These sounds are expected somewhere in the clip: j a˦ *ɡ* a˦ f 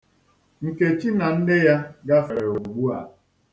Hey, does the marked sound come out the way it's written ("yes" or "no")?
yes